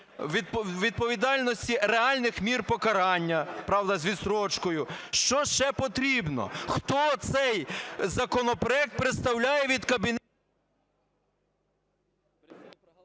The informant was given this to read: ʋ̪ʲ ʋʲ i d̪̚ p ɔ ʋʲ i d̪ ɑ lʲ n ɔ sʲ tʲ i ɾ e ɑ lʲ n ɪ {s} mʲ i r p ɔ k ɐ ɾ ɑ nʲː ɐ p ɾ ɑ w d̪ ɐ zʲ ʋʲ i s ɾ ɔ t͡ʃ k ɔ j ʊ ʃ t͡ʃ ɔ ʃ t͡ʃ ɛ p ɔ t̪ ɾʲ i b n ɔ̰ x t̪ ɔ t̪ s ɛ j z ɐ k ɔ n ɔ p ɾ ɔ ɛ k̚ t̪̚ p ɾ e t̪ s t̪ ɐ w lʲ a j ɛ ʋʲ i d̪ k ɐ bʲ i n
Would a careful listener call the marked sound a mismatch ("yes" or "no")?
yes